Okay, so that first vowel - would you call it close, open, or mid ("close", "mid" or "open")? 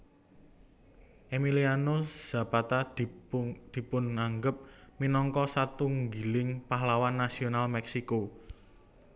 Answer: mid